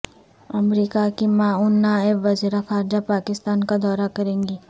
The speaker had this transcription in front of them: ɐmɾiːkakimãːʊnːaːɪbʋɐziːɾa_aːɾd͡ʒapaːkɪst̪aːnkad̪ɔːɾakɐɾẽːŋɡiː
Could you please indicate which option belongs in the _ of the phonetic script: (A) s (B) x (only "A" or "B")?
B